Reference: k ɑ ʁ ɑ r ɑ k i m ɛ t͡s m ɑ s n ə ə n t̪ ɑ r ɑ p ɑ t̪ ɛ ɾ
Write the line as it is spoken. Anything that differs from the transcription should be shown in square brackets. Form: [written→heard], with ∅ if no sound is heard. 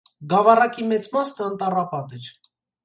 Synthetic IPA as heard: [k→ɡ] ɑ [ʁ→v] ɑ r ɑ k i m ɛ t͡s m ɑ s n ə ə n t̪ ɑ r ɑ p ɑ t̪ ɛ ɾ